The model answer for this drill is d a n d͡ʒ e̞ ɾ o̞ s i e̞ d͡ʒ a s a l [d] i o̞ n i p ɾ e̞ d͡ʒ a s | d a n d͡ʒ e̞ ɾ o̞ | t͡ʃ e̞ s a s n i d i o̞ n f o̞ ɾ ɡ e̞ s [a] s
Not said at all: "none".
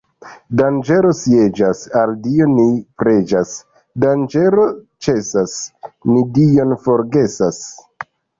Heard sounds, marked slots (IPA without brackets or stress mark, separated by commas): d, a